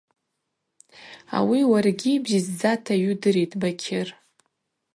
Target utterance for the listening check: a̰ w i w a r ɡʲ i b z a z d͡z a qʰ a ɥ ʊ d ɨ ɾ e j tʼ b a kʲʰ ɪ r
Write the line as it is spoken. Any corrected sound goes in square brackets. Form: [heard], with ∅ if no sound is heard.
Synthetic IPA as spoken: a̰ w i w a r ɡʲ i b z [i] z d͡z a [tʰ] a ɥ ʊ d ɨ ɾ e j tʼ b a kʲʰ ɪ r